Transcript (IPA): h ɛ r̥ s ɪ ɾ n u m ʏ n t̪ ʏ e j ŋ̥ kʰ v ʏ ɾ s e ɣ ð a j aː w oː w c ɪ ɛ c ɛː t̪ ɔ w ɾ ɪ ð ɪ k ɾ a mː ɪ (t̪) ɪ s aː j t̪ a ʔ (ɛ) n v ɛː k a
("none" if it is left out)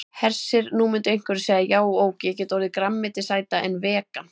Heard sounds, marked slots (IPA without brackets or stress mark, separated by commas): t̪, ɛ